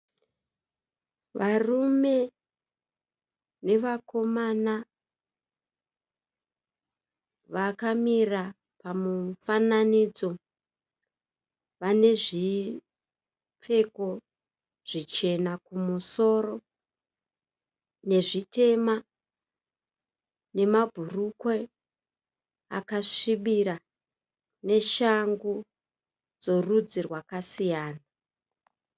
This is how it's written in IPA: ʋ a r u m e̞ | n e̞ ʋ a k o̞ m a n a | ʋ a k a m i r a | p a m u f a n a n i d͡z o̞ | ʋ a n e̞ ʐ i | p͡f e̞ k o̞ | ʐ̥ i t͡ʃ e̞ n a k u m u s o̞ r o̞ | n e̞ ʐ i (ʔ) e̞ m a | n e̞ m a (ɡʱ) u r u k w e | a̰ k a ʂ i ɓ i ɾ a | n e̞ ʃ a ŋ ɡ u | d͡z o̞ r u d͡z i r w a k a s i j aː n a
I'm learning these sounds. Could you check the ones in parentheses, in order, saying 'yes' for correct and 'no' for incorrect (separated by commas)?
no, no